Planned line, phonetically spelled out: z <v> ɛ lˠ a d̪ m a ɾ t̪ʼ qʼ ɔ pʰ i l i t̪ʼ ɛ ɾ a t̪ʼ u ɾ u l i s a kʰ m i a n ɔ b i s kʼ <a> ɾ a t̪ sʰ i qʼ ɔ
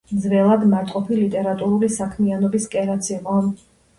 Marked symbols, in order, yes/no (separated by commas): yes, no